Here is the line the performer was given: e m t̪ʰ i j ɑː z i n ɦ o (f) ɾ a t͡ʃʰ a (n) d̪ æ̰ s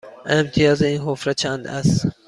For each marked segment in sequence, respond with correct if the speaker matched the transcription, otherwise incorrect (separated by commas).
correct, correct